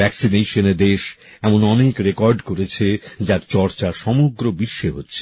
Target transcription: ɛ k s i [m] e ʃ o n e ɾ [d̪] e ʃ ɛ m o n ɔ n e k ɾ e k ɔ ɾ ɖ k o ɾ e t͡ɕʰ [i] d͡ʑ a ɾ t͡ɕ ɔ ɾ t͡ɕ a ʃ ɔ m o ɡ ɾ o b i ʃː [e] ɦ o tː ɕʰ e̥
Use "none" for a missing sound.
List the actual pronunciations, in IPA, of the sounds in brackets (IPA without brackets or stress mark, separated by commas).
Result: n, d̪, e, e